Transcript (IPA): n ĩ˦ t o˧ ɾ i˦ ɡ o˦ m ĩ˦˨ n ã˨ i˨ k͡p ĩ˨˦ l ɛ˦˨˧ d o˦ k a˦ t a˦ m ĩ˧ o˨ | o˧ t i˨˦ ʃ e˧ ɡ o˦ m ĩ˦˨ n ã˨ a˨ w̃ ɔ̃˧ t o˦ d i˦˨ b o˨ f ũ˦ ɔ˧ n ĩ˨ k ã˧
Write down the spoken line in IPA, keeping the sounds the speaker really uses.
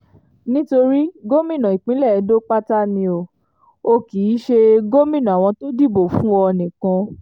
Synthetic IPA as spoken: n ĩ˦ t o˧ ɾ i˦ ɡ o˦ m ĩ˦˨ n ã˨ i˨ k͡p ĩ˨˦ l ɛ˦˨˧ d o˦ k͡p a˦ t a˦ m ĩ˧ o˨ | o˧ k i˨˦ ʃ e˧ ɡ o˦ m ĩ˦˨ n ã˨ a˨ w̃ ɔ̃˧ t o˦ d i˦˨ b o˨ f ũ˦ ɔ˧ n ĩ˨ k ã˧